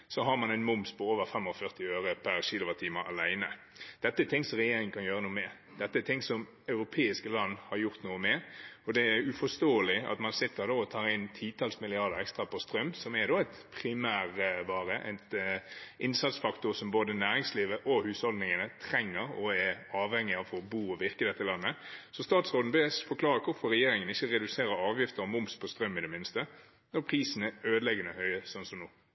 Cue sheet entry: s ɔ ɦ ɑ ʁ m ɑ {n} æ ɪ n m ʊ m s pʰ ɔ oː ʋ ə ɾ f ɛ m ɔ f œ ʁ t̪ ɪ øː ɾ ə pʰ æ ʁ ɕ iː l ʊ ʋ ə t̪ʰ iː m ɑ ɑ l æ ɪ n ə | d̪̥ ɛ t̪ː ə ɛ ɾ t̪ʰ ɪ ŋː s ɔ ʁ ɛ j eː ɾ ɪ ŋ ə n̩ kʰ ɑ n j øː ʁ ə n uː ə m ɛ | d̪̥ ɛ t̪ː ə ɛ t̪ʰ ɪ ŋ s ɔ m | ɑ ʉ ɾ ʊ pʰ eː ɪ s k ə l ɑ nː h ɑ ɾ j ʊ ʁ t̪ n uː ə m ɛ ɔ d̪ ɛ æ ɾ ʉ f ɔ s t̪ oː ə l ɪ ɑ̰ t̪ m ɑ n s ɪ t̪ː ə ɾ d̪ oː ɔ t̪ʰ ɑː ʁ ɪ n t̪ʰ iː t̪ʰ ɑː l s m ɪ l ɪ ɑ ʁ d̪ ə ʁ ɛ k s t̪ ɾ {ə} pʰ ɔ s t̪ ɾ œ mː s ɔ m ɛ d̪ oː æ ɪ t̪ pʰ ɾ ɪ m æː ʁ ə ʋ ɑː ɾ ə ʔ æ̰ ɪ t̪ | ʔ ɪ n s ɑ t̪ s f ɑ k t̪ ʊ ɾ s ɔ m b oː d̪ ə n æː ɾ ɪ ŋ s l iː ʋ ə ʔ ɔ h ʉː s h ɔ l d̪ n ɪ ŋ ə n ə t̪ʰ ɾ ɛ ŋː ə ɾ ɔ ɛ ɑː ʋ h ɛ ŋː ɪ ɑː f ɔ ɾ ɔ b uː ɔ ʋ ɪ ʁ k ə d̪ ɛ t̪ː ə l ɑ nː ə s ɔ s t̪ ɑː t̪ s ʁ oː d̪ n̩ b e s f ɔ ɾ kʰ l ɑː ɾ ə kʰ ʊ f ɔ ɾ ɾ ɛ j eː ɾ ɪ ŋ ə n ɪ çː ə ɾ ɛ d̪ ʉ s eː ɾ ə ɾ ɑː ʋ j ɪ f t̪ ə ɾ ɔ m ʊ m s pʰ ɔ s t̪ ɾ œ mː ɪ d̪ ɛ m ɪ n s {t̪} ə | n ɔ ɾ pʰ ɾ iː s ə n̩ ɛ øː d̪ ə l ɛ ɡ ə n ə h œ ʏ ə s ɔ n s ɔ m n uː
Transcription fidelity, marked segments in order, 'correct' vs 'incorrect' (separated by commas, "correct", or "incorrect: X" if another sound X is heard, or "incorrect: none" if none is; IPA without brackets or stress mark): correct, incorrect: ɑ, correct